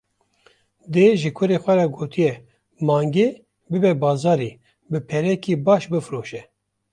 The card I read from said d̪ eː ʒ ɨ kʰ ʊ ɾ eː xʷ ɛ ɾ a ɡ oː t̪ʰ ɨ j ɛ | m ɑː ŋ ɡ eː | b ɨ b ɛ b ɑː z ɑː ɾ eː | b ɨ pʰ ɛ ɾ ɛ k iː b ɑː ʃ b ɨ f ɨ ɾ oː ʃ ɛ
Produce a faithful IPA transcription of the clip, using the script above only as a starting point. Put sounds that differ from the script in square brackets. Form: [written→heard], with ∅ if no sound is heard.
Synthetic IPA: d̪ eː ʒ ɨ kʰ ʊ ɾ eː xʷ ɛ ɾ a ɡ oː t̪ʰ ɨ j ɛ | m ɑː ŋ ɡ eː | b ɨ b ɛ b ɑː z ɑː ɾ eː | b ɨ pʰ ɛ ɾ ɛ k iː b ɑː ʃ b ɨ f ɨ ɾ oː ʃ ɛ